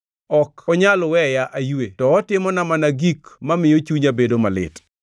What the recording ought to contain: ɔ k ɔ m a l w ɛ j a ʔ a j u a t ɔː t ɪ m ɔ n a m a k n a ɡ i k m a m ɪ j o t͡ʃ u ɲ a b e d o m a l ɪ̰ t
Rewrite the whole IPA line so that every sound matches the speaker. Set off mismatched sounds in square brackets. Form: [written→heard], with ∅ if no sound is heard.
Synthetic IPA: ɔ k ɔ [m→ɲ] a l w ɛ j a ʔ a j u [a→e] t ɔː t ɪ m ɔ n a m a [k→∅] n a ɡ i k m a m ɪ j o t͡ʃ u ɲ a b e d o m a l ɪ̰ t